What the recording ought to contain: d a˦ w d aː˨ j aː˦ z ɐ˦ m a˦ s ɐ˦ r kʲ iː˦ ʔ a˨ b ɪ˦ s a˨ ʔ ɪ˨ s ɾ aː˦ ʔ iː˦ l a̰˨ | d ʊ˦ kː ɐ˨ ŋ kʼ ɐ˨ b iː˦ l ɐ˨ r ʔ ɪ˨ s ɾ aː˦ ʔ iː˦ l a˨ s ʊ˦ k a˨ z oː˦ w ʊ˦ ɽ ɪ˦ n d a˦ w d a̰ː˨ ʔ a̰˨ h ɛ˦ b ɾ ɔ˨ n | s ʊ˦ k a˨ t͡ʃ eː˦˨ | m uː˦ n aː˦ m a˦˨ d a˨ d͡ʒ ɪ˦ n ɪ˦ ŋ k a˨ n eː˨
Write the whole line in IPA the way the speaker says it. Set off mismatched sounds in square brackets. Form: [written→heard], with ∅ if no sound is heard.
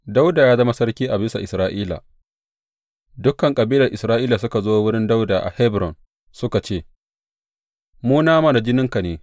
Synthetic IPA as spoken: d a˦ w d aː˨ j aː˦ z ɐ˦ m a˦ s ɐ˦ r kʲ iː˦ ʔ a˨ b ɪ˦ s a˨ ʔ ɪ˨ s ɾ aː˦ ʔ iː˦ l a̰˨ | d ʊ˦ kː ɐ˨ ŋ kʼ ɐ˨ b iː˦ l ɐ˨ r ʔ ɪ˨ s ɾ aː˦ ʔ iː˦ l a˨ s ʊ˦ k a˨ z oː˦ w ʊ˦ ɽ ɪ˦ n d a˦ w d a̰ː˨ ʔ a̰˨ h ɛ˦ b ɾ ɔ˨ n | s ʊ˦ k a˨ t͡ʃ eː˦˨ | m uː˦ n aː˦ m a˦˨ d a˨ d͡ʒ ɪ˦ n ɪ˦ ŋ k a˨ n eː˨